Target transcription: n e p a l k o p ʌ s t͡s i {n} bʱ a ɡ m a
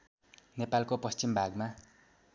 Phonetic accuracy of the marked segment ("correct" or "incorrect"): incorrect